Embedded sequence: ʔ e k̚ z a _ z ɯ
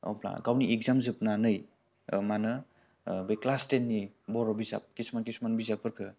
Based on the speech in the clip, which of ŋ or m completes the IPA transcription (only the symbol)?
m